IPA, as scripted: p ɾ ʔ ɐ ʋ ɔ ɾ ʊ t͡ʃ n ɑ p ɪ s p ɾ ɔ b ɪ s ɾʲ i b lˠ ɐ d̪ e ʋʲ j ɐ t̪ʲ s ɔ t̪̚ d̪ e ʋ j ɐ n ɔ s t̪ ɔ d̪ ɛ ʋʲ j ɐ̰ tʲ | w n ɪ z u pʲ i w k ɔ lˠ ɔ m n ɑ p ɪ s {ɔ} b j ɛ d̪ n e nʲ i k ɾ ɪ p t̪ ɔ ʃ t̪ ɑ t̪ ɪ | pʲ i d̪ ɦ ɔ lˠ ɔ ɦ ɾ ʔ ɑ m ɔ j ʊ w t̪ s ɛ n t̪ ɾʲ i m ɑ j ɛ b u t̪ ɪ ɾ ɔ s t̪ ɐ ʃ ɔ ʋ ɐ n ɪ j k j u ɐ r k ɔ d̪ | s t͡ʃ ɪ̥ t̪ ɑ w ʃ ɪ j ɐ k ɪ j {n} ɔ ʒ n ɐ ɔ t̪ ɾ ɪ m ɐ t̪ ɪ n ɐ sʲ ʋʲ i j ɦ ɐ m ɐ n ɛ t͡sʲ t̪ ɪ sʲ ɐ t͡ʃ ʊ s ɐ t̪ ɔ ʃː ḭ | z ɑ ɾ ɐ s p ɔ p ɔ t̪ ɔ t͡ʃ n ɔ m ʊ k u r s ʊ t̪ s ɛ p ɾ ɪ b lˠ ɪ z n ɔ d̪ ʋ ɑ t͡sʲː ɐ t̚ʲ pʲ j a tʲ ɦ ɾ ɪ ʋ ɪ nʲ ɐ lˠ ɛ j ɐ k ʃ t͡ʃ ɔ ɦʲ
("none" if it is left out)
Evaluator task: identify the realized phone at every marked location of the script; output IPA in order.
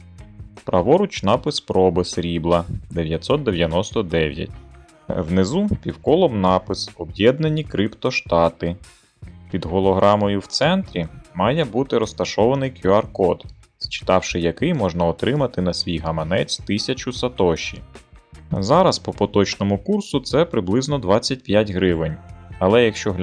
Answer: ɔ, m

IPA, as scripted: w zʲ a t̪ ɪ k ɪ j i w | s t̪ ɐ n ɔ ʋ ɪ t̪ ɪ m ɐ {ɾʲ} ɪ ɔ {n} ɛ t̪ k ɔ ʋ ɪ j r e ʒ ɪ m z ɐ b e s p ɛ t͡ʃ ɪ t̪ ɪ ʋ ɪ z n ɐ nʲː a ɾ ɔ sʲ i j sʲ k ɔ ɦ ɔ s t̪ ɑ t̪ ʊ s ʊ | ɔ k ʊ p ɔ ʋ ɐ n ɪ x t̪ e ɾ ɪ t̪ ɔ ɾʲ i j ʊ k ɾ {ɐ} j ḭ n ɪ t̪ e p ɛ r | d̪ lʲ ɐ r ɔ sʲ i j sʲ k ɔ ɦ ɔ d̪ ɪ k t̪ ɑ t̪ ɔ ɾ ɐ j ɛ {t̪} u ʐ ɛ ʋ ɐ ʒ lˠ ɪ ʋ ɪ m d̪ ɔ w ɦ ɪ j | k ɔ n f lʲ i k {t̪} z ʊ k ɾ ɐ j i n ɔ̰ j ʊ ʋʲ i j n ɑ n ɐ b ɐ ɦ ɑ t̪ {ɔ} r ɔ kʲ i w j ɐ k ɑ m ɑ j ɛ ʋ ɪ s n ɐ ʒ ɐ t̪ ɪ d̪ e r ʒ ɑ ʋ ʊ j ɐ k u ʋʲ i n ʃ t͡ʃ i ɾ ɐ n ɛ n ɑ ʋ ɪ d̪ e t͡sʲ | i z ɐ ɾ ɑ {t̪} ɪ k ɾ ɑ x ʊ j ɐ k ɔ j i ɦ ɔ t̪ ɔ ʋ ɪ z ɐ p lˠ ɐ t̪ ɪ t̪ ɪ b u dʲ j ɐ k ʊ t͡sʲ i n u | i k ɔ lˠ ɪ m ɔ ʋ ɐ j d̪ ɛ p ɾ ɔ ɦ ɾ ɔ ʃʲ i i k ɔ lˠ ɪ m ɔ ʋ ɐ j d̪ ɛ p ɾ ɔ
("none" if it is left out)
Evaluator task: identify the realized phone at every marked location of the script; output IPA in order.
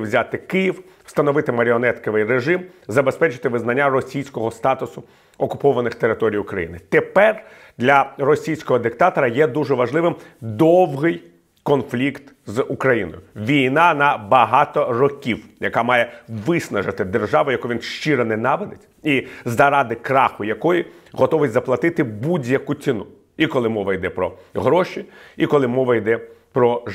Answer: ɾʲ, n, ɐ, d̪, t̪, ɔ, d̪

